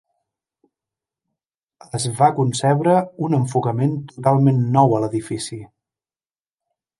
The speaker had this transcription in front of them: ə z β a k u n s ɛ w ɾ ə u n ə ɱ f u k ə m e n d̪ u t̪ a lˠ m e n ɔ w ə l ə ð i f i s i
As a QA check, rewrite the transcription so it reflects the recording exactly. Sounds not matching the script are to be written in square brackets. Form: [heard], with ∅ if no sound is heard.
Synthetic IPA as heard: ə z β a k u n s ɛ [β] ɾ ə u n ə ɱ f u k ə m e n [t̪] u t̪ a lˠ m e [nː] ɔ w ə l ə ð i f i s i

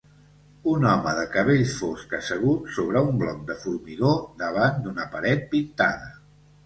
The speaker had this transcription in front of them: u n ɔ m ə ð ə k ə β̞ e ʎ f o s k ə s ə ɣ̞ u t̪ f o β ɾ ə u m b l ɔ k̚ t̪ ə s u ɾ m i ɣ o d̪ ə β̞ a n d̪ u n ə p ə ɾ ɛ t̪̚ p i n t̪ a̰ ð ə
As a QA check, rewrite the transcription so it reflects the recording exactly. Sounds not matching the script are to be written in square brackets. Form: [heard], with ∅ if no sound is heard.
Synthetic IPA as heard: u n ɔ m ə ð ə k ə β̞ e ʎ f o s k ə s ə ɣ̞ u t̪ [s] o β ɾ ə u m b l ɔ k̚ [d̪] ə [f] u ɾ m i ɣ o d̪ ə β̞ a n d̪ u n ə p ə ɾ ɛ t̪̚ p i n t̪ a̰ ð ə

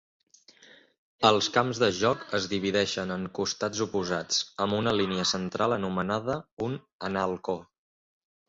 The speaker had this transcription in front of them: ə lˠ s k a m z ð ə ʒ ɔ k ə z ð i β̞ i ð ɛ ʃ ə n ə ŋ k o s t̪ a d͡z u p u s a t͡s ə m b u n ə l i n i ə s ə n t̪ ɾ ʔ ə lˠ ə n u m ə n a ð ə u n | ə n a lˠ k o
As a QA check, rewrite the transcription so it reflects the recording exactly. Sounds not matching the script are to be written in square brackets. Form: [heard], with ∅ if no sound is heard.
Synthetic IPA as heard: ə lˠ s k a m z ð ə ʒ ɔ k ə z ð i β̞ i ð ɛ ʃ ə n ə ŋ k [u] s t̪ a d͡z u p u [z] a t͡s ə m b u n ə l i n i ə s ə n t̪ ɾ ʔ [a] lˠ ə n u m ə n a ð ə u n | ə n a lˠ k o

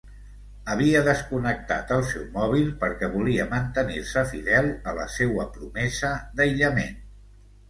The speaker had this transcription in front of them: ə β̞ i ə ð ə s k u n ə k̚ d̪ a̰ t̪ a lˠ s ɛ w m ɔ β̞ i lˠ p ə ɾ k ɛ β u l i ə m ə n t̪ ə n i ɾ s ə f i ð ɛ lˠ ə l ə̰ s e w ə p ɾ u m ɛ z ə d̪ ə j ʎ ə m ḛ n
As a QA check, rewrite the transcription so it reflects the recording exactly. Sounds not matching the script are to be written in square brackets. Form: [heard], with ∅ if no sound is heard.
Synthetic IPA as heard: ə β̞ i ə ð ə s k u n ə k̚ [t̪] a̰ t̪ [ə] lˠ s ɛ w m ɔ β̞ i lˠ p ə ɾ k ɛ β u l i ə m ə n t̪ ə n i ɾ s ə f i ð ɛ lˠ ə l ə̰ s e w ə p ɾ u m ɛ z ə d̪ ə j ʎ ə m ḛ n

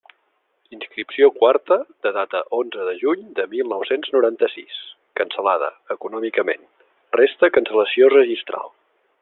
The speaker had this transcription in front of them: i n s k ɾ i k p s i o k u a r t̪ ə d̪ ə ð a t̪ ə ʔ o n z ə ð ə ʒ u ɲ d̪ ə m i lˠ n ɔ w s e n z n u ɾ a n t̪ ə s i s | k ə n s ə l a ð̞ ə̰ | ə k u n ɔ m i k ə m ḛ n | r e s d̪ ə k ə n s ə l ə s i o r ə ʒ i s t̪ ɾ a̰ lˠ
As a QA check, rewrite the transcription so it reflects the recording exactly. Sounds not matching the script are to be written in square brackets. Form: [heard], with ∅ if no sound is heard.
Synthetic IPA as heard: i n s k ɾ i [∅] p s i o k [w] a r t̪ ə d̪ ə ð a t̪ ə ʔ o n z ə ð ə ʒ u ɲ d̪ ə m i lˠ n ɔ w s e n z n u ɾ a n t̪ ə s i s | k ə n s ə l a ð̞ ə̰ | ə k u n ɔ m i k ə m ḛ n | r e s [t̪] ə k ə n s ə l ə s i o r ə ʒ i s t̪ ɾ a̰ lˠ

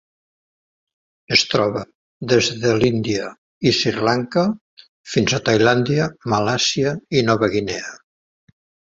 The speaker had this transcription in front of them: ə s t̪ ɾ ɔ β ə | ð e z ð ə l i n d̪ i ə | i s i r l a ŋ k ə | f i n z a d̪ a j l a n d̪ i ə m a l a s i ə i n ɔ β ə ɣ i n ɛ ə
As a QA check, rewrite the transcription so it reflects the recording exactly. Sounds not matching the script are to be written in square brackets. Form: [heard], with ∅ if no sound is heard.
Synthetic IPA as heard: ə s t̪ ɾ ɔ β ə | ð e z ð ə l i n d̪ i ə | i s i r l a ŋ k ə | f i n z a [t̪] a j l a n d̪ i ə m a l a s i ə i n ɔ β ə ɣ i n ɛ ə

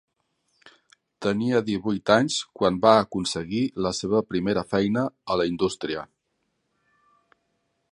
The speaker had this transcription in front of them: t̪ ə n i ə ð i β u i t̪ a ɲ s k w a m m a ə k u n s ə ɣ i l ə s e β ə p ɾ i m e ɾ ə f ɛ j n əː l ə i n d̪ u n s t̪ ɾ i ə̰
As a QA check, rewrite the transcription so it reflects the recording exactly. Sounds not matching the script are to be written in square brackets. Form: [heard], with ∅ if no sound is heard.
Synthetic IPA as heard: t̪ ə n i ə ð i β u [j] t̪ a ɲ s k w a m [b] a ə k u n s ə ɣ i l ə s e β ə p ɾ i m e ɾ ə f ɛ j n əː l ə i n d̪ u [∅] s t̪ ɾ i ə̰

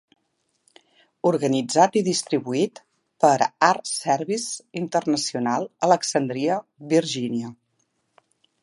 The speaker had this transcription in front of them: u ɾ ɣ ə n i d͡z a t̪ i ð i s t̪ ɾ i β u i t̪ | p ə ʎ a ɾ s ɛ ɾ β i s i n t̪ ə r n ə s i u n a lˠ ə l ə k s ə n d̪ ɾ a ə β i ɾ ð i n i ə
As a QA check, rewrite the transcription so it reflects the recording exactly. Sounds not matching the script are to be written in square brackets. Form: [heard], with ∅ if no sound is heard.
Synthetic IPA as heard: u ɾ ɣ ə n i d͡z a t̪ i ð i s t̪ ɾ i β u i t̪ | p ə [ɾ] a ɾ s ɛ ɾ β i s i n t̪ ə r n ə s i u n a lˠ ə l ə k s ə n d̪ ɾ [i] ə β i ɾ [ʒ] i n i ə

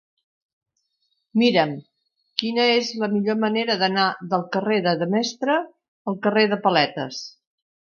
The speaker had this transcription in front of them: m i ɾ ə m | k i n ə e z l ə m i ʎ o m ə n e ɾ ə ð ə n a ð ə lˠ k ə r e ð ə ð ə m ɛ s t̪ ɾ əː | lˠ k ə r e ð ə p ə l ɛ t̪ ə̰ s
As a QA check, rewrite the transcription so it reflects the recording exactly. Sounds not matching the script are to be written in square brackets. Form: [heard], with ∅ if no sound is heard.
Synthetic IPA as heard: m i ɾ ə m | k i n ə e z l ə m i ʎ o m ə n e ɾ ə ð ə n a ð ə lˠ k ə r e ð ə ð ə m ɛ s t̪ ɾ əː | lˠ k ə r e ð ə p ə l ɛ t̪ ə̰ s

